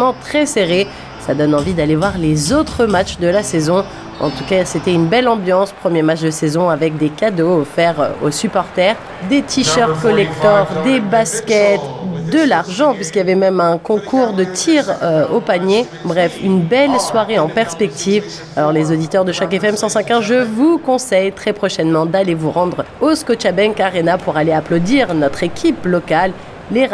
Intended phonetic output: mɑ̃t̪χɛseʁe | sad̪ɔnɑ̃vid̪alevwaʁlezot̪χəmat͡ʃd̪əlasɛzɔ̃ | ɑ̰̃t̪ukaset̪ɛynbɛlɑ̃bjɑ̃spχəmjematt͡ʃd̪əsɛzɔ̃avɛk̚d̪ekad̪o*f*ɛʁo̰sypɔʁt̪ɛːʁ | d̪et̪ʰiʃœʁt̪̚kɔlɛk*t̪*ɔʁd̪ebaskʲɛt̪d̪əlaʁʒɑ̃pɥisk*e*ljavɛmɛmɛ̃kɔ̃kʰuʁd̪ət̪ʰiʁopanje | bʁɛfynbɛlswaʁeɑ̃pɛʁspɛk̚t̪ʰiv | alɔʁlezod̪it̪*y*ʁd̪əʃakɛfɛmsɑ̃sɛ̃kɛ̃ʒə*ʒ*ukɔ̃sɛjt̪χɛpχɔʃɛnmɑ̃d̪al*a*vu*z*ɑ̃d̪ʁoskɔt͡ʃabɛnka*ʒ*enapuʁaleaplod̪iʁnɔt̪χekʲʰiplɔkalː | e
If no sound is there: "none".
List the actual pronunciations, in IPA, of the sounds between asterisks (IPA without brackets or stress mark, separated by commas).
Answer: f, t̪, i, œ, v, e, ʁ, ʁ